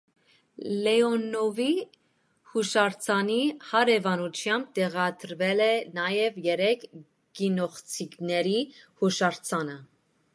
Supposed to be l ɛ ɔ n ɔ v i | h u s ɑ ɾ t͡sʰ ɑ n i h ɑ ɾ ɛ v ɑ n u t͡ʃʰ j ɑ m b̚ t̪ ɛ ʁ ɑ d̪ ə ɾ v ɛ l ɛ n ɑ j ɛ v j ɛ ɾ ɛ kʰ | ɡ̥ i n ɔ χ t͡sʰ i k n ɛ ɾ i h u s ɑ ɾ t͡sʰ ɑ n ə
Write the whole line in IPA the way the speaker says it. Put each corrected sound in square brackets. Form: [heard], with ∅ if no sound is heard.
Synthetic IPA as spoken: l ɛ ɔ n ɔ v i | h u [ʃ] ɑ ɾ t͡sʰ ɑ n i h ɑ ɾ ɛ v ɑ n u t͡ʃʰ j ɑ m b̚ t̪ ɛ ʁ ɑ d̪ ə ɾ v ɛ l ɛ n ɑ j ɛ v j ɛ ɾ ɛ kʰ | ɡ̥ i n ɔ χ t͡sʰ i k n ɛ ɾ i h u [ʃ] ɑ ɾ t͡sʰ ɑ n ə